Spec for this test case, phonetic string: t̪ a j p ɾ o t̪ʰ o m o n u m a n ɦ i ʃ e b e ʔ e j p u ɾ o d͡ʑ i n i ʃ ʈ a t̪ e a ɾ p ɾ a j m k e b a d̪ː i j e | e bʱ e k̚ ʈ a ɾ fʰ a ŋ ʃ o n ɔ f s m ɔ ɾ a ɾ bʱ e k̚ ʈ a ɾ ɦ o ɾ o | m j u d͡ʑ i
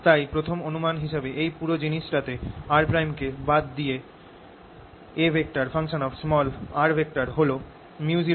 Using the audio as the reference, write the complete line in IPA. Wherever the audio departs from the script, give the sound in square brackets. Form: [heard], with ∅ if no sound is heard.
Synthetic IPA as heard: t̪ a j p ɾ o t̪ʰ o m o n u m a n ɦ i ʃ e b e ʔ e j p u ɾ o d͡ʑ i n i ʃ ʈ a t̪ e a ɾ p ɾ a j m k e b a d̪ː i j e | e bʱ e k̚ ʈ a ɾ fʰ a ŋ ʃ o n ɔ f s m ɔ [l] a ɾ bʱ e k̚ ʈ a ɾ ɦ o [l] o | m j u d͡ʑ i